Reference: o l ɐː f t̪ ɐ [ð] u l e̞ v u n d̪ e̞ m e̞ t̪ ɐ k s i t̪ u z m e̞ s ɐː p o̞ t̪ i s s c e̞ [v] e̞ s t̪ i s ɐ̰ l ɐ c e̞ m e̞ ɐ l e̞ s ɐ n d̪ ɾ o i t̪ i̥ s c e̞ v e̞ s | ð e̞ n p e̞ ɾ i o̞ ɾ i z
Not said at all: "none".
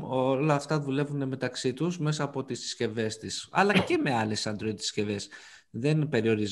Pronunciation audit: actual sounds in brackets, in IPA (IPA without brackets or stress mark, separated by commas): ð, v